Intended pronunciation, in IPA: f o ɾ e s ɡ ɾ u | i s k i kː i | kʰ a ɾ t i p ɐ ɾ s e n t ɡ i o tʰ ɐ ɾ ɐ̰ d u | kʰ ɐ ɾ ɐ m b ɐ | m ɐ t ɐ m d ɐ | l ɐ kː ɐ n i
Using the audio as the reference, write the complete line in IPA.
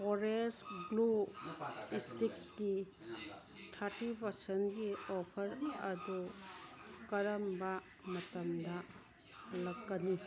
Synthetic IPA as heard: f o ɾ e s ɡ l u | i s t i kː i | tʰ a ɾ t i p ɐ ɾ s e n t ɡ i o pʰ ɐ ɾ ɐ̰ d u | k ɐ ɾ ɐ m b ɐ | m ɐ t ɐ m d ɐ | l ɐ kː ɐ n i

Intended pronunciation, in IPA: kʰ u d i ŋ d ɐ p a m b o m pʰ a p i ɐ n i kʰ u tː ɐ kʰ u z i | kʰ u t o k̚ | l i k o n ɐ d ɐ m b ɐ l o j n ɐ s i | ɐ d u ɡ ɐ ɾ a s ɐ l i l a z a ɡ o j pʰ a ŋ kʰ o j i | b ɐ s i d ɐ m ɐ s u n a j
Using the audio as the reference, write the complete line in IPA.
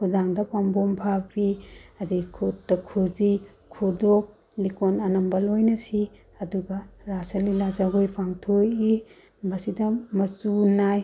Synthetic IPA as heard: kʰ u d a ŋ d ɐ p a m b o m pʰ a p i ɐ d i kʰ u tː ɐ kʰ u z i | kʰ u d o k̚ | l i k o n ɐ n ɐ m b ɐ l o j n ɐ s i | ɐ d u ɡ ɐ ɾ a s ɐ l i l a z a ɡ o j pʰ a ŋ tʰ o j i | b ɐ s i d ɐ m ɐ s u n a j

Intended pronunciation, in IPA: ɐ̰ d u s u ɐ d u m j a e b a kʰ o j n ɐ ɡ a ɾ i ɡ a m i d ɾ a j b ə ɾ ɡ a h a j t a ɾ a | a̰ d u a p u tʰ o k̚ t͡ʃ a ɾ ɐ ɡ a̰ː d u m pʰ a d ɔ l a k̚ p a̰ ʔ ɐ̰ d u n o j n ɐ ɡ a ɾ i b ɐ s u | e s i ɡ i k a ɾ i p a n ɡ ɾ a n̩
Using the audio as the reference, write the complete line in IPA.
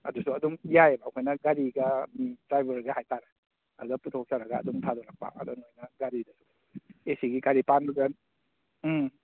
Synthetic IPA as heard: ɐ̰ d u s u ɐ d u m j a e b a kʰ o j n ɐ ɡ a ɾ i ɡ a m i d ɾ a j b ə ɾ ɡ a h a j t a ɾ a | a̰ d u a p u tʰ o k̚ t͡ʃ a ɾ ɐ ɡ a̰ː d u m tʰ a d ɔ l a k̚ p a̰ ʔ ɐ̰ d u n o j n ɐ ɡ a ɾ i d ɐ s u | e s i ɡ i k a ɾ i p a n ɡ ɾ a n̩

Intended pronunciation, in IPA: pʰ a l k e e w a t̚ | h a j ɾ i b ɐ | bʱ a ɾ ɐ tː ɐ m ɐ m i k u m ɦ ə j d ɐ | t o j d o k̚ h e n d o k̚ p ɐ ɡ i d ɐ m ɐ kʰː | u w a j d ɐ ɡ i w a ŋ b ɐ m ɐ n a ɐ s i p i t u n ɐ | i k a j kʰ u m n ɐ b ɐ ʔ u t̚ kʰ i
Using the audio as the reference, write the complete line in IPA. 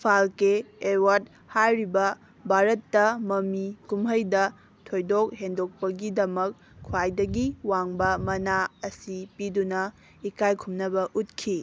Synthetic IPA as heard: pʰ a l k e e w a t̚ | h a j ɾ i b ɐ | bʱ a ɾ ɐ tː ɐ m ɐ m i k u m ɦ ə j d ɐ | tʰ o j d o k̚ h e n d o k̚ p ɐ ɡ i d ɐ m ɐ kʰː | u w a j d ɐ ɡ i w a ŋ b ɐ m ɐ n a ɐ s i p i d u n ɐ | i k a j kʰ u m n ɐ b ɐ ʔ u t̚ kʰ i

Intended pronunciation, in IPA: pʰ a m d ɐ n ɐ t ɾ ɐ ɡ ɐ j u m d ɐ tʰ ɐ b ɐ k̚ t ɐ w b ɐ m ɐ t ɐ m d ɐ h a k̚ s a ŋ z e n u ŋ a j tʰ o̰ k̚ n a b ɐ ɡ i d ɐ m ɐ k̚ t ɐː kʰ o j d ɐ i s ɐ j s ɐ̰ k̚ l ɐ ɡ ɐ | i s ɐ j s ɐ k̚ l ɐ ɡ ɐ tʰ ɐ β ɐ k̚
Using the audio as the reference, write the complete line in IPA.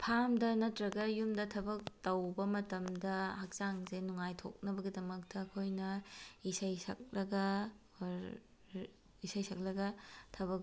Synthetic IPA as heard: pʰ a m d ɐ n ɐ t ɾ ɐ ɡ ɐ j u m d ɐ tʰ ɐ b ɐ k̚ t ɐ w b ɐ m ɐ t ɐ m d ɐ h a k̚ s a ŋ z e n u ŋ a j tʰ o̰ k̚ n ɐ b ɐ ɡ i d ɐ m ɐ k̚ t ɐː kʰ o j n ɐ i s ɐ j s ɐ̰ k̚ l ɐ ɡ ɐ | i s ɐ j s ɐ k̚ l ɐ ɡ ɐ tʰ ɐ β ɐ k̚

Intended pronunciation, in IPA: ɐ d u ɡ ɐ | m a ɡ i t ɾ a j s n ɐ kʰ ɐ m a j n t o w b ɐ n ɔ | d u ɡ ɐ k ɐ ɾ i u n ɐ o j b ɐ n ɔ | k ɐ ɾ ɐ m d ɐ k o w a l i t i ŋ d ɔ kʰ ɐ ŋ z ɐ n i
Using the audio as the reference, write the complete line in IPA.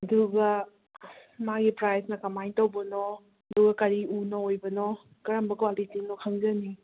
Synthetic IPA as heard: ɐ d u ɡ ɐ | m a ɡ i p ɾ a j s n ɐ k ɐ m a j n t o w b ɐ n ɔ | d u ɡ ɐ k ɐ ɾ i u n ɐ o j b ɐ n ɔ | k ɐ ɾ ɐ m b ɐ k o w a l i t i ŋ n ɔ kʰ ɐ ŋ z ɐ n i

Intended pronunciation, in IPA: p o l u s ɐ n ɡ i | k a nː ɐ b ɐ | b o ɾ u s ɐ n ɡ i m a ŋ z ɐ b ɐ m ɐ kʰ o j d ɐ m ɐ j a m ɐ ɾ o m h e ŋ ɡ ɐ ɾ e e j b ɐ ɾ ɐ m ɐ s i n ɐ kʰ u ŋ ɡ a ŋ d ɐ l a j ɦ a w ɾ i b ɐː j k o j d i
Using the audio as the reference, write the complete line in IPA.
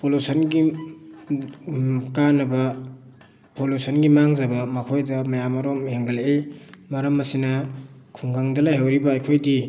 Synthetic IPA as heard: p o l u s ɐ n ɡ i | k a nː ɐ b ɐ | p o l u s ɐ n ɡ i m a ŋ z ɐ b ɐ m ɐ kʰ o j d ɐ m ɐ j a m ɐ ɾ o m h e ŋ ɡ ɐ l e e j m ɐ ɾ ɐ m ɐ s i n ɐ kʰ u ŋ ɡ a ŋ d ɐ l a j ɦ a w ɾ i b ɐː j kʰ o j d i

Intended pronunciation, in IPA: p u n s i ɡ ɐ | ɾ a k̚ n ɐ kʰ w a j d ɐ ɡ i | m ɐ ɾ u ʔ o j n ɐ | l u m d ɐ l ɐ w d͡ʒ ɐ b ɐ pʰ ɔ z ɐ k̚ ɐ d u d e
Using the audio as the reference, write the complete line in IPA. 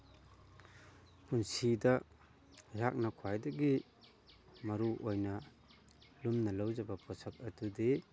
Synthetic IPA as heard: p u n s i d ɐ | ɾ a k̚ n ɐ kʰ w a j d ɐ ɡ i | m ɐ ɾ u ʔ o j n ɐ | l u m n ɐ l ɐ w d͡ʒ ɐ b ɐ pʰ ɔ s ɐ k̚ ɐ d u d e

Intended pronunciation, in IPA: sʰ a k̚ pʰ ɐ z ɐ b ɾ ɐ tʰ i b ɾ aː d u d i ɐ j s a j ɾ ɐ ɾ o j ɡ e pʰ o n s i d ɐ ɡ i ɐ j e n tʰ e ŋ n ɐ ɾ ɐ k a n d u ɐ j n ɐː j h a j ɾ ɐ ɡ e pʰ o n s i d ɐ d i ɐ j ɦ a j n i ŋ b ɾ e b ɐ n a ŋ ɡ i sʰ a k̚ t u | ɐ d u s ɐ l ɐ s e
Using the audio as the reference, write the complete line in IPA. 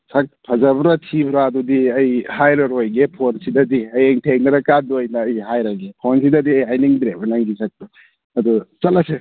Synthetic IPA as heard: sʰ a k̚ pʰ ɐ z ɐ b ɾ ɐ tʰ i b ɾ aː d u d i ɐ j h a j ɾ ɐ ɾ o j ɡ e pʰ o n s i d ɐ d i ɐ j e ŋ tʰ e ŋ n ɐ ɾ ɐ k a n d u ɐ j n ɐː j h a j ɾ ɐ ɡ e pʰ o n s i d ɐ d i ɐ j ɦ a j n i ŋ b ɾ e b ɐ n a ŋ ɡ i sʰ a k̚ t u | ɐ d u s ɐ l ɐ s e

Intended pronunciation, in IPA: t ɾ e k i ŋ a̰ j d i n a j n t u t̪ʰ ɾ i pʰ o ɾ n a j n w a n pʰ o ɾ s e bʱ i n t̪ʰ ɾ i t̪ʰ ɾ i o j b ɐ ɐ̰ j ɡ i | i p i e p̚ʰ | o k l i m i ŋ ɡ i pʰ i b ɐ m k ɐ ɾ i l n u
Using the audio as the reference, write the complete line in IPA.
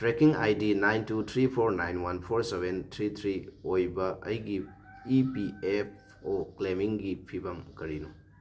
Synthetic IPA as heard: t ɾ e k i ŋ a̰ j d i n a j n t u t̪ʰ ɾ i pʰ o ɾ n a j n w a n pʰ o ɾ s e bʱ e n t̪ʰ ɾ i t̪ʰ ɾ i o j b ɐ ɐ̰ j ɡ i | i p i e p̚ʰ | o k l e m i ŋ ɡ i pʰ i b ɐ m k ɐ ɾ i n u

